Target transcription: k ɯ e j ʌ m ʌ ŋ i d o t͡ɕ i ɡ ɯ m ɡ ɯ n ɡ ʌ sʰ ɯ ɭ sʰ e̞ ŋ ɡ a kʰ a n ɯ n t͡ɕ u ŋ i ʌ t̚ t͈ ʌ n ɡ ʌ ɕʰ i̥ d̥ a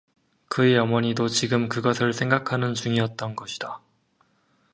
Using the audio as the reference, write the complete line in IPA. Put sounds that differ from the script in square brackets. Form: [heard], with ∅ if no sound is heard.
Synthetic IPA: k ɯ e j ʌ m ʌ [ɲ] i d o t͡ɕ i ɡ ɯ m [k] ɯ [∅] ɡ ʌ sʰ ɯ ɭ sʰ e̞ ŋ ɡ a kʰ a n ɯ n t͡ɕ u ŋ i ʌ t̚ t͈ ʌ n ɡ ʌ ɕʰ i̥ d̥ a